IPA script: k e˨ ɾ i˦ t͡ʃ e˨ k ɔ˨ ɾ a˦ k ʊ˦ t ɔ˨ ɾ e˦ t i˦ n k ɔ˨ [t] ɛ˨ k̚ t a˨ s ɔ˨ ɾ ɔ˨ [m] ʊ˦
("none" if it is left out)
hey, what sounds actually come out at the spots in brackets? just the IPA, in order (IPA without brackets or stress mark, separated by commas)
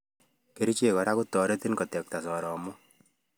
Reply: t, m